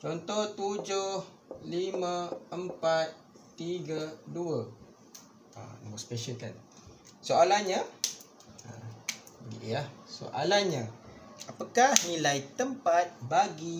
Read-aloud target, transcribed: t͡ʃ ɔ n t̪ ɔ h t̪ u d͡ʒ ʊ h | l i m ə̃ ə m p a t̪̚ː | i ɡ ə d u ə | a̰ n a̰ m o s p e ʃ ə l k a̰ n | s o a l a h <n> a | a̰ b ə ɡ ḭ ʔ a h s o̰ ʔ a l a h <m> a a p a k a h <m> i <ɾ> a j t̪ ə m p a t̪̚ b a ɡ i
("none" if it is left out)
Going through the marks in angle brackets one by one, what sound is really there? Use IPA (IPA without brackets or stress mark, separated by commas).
ɲ, ɲ, n, l